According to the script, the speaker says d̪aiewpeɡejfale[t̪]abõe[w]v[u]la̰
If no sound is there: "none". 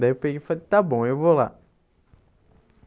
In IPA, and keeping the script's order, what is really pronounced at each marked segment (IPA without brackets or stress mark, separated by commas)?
t̪, w, o